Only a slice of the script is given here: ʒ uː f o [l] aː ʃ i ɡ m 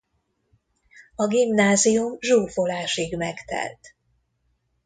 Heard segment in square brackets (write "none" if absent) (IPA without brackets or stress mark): l